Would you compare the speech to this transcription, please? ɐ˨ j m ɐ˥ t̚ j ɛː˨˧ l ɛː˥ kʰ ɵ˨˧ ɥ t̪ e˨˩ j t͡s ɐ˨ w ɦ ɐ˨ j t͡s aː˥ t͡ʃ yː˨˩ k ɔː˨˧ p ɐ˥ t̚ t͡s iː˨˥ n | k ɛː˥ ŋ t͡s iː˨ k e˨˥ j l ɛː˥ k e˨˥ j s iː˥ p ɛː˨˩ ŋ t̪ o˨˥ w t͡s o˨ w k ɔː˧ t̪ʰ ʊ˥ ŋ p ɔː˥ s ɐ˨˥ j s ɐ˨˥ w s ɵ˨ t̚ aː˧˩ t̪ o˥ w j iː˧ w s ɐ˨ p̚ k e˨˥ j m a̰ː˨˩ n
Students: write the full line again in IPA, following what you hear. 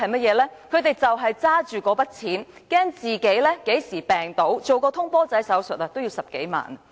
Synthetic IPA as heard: ɐ˨ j m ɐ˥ t̚ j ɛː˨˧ l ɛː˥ kʰ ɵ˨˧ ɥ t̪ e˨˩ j t͡s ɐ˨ w ɦ ɐ˨ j t͡s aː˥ t͡ʃ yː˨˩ k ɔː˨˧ p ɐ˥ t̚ t͡sʰ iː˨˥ n | k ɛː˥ ŋ t͡s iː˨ k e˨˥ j l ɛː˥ k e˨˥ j s iː˨˩ p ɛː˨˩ ŋ t̪ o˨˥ w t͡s o˨ w k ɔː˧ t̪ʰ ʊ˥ ŋ p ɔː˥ t͡s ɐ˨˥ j s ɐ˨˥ w s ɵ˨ t̚ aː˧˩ t̪ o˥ w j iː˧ w s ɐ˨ p̚ k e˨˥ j m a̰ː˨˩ n